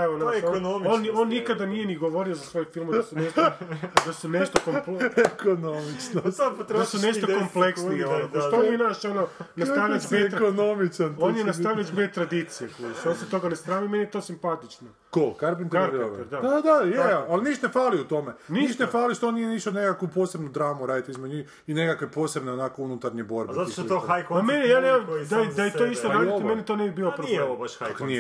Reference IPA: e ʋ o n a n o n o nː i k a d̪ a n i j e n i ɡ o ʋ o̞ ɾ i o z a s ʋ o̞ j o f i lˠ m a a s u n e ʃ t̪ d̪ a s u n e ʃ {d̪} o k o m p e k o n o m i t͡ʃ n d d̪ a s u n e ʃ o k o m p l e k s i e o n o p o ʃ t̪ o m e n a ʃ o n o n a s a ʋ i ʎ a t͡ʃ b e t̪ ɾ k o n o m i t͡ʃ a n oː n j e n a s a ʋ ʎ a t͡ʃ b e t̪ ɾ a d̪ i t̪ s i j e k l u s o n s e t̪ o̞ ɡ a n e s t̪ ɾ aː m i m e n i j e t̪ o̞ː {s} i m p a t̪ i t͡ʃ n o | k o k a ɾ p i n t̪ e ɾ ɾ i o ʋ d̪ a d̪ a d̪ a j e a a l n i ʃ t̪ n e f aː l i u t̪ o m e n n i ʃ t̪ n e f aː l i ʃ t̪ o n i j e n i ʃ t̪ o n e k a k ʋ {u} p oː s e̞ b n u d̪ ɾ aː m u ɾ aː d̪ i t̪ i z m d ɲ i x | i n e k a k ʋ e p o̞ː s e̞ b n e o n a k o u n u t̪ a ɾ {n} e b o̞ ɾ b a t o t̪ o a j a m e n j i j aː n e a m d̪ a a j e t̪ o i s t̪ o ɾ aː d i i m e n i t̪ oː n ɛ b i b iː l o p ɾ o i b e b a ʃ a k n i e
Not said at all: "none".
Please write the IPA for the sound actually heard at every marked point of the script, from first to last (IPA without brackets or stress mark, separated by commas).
t̪, s, u, ɲ